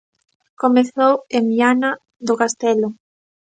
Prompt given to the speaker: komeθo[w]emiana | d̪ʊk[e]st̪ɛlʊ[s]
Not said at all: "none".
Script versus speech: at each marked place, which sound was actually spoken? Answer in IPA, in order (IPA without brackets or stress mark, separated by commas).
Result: w, a, none